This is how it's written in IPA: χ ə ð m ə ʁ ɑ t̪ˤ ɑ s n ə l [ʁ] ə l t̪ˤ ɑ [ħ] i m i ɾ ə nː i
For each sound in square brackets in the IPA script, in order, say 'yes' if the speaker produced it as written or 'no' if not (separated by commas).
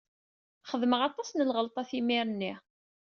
yes, no